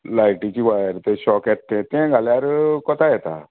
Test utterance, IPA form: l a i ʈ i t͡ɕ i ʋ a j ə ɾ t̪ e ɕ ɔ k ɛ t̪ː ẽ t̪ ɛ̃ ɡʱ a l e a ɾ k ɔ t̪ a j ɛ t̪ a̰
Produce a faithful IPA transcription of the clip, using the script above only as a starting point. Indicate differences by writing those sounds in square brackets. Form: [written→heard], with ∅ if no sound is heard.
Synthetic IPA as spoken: l a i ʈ i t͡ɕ i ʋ a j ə ɾ t̪ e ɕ ɔ k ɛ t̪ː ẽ t̪ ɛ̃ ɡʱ a l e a ɾ k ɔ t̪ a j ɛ t̪ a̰